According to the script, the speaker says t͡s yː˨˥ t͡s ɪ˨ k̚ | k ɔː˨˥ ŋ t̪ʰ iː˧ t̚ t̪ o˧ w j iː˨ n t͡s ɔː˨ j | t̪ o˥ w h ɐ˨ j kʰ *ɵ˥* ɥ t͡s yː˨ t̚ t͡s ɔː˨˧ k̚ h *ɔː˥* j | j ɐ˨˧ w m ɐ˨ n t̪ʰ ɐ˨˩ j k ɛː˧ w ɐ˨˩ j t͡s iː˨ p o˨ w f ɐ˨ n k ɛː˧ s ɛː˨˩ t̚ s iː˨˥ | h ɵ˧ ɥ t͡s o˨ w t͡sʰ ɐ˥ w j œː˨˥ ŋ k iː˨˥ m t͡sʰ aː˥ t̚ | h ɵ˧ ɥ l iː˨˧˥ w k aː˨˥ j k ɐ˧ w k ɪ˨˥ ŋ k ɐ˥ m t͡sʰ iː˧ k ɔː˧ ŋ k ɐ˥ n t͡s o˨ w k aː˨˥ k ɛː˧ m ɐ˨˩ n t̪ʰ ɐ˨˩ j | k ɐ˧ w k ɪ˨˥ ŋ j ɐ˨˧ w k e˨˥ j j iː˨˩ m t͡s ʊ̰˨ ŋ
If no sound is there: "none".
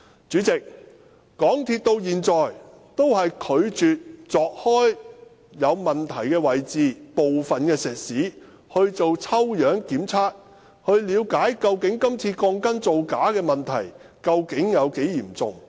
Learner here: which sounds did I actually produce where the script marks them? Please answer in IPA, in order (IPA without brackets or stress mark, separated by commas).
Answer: ɵ˨˧, ɔː˥